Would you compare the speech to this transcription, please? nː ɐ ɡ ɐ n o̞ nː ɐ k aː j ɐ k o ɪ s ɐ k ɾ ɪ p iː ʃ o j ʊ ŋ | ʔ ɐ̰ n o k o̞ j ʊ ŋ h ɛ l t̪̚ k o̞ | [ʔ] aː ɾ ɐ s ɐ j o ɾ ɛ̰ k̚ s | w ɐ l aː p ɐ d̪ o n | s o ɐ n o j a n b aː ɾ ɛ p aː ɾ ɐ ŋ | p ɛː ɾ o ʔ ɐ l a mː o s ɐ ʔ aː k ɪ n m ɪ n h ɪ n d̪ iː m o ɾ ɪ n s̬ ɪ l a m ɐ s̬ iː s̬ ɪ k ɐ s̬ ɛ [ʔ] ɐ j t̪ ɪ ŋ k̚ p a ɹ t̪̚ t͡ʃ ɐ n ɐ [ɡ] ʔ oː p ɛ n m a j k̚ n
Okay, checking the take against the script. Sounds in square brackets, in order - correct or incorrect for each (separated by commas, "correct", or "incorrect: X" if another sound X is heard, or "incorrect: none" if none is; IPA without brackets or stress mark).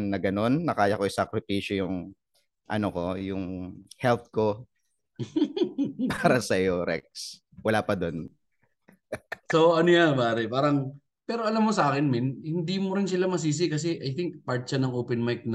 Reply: incorrect: p, correct, incorrect: ŋ